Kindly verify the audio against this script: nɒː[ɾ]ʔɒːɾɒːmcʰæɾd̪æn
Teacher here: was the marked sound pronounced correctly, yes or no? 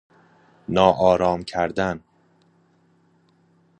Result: no